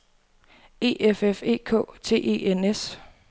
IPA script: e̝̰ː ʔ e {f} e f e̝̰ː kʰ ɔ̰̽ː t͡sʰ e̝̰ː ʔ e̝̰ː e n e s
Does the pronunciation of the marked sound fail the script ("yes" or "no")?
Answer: no